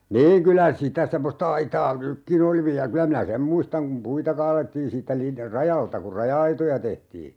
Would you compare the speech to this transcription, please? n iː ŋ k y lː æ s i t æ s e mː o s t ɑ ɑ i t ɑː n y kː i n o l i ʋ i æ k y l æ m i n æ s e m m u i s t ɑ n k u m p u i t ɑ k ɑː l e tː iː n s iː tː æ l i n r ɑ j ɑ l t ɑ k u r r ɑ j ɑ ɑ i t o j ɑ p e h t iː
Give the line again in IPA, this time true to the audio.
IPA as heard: n iː ŋ k y l æ s i t æ s e mː o s t ɑ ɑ i t ɑː n y kː i n o l i ʋ i æ k y l æ m i n æ s e m m u i s t ɑ ŋ k u m p u i t ɑ k ɑː l e tː iː n s iː tː æ l i n r ɑ j ɑ l t ɑ k u r r ɑ j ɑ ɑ i t o j ɑ t e h t iː